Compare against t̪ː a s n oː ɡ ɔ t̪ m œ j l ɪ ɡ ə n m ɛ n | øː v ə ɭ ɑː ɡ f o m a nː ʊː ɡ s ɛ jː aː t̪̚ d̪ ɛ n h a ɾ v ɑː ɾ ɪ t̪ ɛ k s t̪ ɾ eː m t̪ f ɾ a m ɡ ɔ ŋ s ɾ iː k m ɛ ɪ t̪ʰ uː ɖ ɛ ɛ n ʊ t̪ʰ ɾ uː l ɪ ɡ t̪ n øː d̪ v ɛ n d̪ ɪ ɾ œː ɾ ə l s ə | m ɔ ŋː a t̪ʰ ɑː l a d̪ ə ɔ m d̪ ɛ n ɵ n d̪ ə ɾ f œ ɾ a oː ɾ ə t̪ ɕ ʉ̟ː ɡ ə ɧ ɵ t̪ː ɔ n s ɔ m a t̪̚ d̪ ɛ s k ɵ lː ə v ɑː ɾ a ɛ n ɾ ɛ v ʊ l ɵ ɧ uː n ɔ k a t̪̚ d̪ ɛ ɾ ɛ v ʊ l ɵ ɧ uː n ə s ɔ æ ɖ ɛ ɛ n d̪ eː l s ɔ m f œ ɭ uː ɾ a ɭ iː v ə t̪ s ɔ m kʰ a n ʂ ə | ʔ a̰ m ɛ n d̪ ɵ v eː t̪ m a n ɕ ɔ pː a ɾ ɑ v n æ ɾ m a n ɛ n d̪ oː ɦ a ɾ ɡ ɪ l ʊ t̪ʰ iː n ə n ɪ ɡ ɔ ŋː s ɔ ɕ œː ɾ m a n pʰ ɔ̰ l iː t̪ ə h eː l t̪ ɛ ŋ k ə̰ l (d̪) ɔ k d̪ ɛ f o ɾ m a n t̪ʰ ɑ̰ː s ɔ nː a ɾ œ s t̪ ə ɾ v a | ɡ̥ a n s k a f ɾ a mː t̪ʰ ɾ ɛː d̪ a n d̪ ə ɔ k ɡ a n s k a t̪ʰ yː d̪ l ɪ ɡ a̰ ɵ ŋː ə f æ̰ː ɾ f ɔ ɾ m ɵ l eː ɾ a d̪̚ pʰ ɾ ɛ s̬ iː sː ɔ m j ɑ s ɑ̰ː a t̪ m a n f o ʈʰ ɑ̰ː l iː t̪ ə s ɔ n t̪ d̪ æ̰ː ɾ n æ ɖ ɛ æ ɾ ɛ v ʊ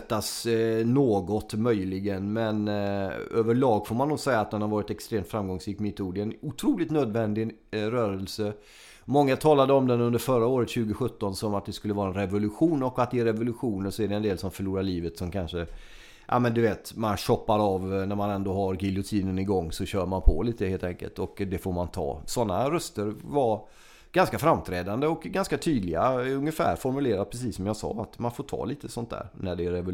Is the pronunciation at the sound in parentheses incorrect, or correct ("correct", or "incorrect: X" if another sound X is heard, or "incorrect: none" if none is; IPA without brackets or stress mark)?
incorrect: t̪